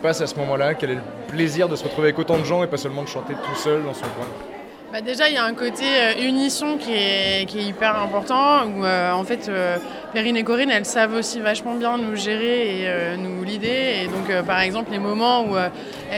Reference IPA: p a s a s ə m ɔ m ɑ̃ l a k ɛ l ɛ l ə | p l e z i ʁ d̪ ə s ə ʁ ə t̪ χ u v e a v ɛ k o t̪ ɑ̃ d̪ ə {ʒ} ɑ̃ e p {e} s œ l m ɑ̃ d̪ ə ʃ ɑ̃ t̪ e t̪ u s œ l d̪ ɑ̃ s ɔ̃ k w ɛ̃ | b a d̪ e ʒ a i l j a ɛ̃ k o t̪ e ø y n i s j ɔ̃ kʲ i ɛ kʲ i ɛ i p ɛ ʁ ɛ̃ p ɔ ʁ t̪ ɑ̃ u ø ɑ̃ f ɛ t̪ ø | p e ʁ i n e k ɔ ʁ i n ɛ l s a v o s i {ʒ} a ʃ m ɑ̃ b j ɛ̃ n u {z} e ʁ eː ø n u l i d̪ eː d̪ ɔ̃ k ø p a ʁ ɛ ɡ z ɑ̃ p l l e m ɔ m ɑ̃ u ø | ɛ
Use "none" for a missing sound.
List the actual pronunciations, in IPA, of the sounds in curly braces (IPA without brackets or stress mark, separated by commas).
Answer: ʒ, a, v, ʒ